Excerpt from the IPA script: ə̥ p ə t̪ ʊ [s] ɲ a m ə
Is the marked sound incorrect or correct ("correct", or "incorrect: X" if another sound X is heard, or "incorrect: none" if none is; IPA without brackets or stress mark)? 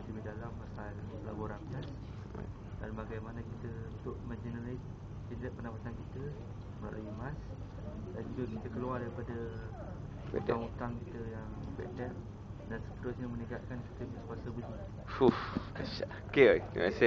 correct